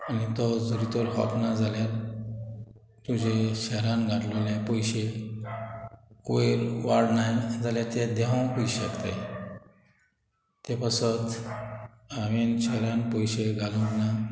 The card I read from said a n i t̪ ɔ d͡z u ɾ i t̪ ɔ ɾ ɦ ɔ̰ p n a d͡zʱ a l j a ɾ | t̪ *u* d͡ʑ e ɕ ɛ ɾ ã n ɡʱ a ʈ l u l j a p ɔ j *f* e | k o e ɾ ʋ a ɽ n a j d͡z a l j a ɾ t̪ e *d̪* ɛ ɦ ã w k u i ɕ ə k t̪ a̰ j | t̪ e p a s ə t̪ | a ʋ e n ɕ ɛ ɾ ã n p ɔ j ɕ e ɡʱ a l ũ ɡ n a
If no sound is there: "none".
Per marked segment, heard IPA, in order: u, ɕ, d̪

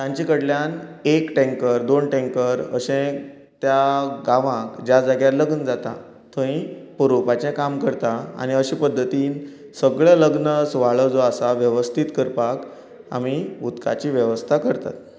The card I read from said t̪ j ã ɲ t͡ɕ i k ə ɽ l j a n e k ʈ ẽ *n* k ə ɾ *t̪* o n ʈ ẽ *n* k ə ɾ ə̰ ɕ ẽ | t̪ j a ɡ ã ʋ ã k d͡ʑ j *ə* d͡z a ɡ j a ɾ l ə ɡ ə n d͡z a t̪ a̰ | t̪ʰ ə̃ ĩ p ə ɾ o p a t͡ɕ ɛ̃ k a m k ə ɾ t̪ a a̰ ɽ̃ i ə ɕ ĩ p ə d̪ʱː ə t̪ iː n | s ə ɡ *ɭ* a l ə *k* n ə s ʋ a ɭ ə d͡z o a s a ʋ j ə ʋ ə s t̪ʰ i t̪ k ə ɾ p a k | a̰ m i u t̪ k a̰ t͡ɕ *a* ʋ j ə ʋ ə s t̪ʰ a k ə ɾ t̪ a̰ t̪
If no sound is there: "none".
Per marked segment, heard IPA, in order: ŋ, d̪, ŋ, a, ɭ, ɡ, i

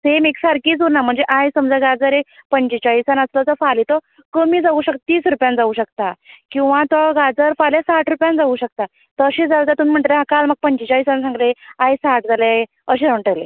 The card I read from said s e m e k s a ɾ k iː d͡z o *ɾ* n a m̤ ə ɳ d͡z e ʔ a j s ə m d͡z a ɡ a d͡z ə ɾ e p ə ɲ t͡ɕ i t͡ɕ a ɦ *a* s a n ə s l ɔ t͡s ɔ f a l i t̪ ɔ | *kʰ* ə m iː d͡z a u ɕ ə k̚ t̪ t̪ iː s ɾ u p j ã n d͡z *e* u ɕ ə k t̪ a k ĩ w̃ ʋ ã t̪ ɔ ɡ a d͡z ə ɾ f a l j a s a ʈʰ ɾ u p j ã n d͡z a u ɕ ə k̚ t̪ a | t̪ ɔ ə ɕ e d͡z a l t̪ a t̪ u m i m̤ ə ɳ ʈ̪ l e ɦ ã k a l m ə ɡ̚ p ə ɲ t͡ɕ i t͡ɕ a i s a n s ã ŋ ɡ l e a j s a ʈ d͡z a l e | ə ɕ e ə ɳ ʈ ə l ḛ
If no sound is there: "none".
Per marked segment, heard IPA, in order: ɾ, i, k, a

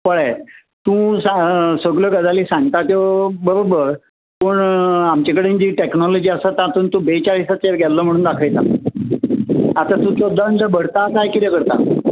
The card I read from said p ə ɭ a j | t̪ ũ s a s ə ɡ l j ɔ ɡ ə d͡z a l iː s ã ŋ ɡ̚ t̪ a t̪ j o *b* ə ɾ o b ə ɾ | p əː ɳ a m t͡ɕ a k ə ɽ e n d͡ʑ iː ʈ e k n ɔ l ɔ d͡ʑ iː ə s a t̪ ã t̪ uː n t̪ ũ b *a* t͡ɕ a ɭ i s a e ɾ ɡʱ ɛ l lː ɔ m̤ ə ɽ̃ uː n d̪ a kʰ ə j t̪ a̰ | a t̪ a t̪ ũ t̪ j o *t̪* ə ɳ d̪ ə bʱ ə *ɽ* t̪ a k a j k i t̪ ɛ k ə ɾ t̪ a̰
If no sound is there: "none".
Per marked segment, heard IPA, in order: b, e, d̪, ɽ

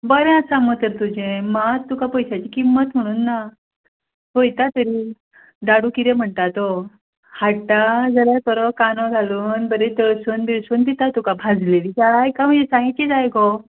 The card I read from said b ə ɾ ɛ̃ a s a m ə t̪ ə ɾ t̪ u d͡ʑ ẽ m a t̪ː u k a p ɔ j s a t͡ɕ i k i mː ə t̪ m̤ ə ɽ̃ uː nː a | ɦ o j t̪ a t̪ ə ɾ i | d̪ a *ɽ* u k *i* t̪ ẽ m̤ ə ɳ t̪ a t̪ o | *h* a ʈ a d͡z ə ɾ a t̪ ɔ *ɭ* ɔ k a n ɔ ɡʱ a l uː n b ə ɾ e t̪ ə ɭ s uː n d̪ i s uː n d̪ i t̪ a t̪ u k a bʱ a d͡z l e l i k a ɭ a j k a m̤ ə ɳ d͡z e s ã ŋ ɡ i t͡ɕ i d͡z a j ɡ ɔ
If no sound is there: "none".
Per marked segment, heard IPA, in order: ɽ, i, h, ɾ

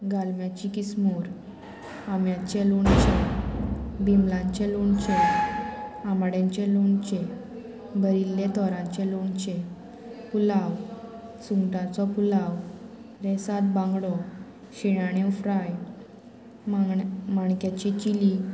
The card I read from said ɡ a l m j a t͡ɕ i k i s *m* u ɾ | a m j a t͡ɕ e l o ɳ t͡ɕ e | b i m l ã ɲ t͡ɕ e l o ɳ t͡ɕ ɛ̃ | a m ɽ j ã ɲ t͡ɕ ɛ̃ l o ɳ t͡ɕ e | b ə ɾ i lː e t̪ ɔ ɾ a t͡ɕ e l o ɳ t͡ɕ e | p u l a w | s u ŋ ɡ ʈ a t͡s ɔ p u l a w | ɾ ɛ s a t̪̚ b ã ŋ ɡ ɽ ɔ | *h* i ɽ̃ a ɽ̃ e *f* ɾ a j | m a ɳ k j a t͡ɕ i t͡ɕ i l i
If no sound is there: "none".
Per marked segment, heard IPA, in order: m, ɕ, f

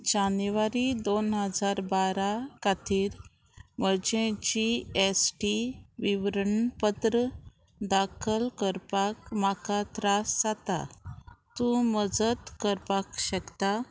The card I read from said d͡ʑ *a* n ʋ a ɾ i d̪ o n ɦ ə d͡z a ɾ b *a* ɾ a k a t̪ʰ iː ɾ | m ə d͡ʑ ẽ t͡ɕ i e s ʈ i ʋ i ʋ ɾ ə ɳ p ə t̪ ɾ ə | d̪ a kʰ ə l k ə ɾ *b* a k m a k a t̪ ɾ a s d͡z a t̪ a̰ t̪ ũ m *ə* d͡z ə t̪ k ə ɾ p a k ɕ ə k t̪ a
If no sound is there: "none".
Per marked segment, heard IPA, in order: a, a, p, ə

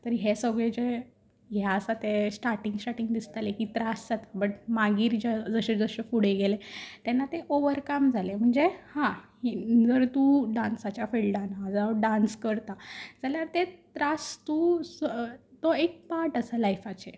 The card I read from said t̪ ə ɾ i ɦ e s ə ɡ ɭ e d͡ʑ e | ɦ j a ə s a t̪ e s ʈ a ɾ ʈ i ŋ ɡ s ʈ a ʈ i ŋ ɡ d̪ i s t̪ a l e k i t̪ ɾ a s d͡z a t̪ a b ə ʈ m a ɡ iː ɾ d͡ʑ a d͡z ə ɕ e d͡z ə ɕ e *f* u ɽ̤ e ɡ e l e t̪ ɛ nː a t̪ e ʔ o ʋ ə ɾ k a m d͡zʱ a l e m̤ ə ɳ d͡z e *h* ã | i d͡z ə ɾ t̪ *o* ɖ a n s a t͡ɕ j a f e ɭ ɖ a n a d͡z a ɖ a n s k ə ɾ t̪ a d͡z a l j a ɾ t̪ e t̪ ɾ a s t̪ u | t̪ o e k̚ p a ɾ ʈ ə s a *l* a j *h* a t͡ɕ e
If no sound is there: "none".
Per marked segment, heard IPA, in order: f, h, u, l, f

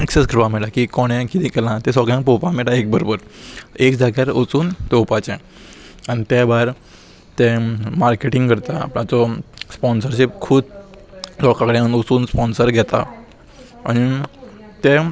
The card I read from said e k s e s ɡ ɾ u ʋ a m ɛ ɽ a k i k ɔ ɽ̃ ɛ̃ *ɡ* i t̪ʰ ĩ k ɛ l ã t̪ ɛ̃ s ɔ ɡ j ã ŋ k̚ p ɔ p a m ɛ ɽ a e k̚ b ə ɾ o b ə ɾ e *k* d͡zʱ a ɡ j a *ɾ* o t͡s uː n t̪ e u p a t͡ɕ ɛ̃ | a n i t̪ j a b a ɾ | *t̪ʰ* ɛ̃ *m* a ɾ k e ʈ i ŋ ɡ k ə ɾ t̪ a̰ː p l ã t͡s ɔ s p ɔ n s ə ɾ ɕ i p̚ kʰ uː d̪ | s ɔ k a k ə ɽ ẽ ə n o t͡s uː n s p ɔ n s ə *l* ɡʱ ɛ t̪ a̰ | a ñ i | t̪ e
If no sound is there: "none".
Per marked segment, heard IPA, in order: k, k, ɾ, t̪, m, ɾ

